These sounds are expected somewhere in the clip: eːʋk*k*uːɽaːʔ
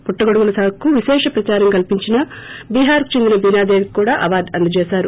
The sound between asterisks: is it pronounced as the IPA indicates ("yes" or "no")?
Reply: yes